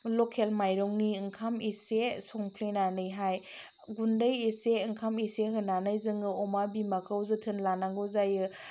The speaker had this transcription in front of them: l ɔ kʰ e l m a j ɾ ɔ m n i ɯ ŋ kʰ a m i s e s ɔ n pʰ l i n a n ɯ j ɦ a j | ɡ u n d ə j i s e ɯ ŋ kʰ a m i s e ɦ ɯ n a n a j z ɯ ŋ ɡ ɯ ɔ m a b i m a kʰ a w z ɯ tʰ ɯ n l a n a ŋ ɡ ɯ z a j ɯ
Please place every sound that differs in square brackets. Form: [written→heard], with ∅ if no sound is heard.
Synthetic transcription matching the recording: l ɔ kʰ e l m a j ɾ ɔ [m→ŋ] n i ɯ ŋ kʰ a m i s e s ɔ [n→ŋ] pʰ l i n a n ɯ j ɦ a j | ɡ u n d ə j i s e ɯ ŋ kʰ a m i s e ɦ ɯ n a n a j z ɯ ŋ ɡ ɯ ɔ m a b i m a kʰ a w z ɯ tʰ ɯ n l a n a ŋ ɡ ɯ z a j ɯ